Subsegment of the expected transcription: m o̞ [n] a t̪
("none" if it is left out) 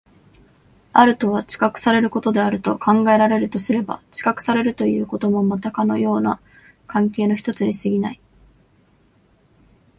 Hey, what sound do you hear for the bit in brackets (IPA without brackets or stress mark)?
m